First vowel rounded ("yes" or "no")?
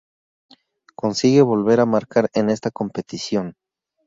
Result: yes